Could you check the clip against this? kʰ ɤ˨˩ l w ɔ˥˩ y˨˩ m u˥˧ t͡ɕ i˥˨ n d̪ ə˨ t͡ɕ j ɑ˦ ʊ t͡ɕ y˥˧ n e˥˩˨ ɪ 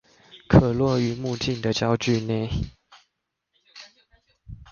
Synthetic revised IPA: kʰ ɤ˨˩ l w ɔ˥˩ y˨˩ m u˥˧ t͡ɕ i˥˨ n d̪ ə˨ t͡ɕ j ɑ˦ ʊ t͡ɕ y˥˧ n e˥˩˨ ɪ